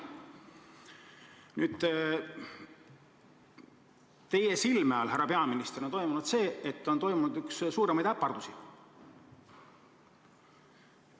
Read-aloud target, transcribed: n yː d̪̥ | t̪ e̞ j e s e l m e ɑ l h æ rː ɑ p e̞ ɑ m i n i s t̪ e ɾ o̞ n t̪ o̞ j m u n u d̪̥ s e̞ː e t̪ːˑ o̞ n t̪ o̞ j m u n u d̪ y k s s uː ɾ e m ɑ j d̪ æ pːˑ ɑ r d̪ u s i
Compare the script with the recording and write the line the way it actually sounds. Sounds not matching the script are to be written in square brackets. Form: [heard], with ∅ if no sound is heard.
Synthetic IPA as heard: n yː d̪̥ | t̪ e̞ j e s [i] l m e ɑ l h æ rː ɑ p e̞ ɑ m i n i s t̪ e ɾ o̞ n t̪ o̞ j m u n u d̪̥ s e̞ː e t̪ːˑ o̞ n t̪ o̞ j m u n u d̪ y k s s uː ɾ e m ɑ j d̪ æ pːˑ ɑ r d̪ u s i